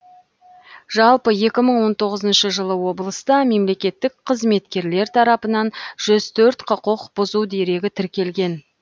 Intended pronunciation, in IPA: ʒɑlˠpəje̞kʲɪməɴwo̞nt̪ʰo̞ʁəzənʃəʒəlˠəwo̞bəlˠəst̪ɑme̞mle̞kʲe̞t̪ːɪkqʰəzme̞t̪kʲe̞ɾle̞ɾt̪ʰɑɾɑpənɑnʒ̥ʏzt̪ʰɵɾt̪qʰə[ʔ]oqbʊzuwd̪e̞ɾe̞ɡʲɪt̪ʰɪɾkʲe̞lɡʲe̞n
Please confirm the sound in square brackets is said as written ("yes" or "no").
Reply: no